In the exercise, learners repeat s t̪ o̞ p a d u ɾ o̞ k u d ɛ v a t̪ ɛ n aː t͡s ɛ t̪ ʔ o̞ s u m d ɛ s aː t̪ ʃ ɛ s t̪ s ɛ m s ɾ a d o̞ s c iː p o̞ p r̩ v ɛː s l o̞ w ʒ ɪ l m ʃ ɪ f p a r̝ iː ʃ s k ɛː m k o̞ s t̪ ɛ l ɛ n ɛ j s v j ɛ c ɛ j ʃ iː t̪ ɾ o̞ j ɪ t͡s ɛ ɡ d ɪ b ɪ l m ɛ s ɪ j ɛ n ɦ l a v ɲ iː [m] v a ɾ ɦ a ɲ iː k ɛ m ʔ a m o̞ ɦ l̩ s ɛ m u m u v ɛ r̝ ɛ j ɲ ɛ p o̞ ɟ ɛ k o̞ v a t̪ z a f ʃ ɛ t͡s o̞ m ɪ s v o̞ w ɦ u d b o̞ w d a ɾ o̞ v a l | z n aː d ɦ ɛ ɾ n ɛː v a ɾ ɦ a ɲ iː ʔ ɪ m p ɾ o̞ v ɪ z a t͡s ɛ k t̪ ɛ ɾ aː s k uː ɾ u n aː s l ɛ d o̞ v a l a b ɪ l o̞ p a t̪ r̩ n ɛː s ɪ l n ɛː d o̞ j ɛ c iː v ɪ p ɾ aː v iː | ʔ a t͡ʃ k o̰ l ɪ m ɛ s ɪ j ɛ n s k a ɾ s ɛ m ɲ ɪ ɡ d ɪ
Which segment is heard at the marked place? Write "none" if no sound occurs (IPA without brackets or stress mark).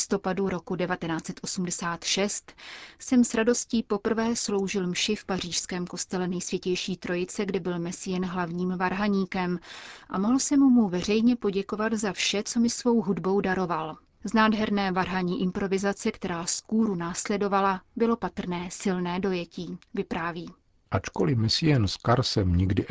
m